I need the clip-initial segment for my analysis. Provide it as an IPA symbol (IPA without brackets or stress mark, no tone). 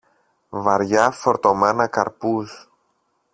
v